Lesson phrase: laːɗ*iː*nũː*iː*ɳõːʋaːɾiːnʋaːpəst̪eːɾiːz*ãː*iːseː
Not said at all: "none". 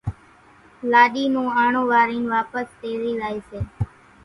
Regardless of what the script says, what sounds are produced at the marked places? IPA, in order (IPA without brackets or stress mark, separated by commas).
iː, aː, aː